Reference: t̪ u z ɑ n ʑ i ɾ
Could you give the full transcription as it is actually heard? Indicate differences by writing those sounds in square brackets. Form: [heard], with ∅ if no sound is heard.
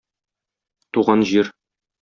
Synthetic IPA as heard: t̪ u [ʁ] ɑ n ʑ i ɾ